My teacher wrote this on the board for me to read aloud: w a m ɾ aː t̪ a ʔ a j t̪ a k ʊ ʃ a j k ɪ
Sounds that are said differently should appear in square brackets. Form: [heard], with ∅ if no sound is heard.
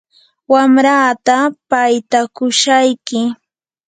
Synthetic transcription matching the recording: w a m ɾ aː t̪ a [p] a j t̪ a k ʊ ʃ a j k ɪ